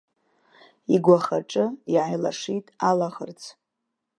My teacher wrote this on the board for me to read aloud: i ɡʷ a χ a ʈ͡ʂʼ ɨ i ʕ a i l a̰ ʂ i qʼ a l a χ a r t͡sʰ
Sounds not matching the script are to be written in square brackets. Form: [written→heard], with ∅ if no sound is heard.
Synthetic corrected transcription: i ɡʷ a χ a ʈ͡ʂʼ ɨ i ʕ a [i→j] l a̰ ʂ i [qʼ→tʼ] a l a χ [a→ə] r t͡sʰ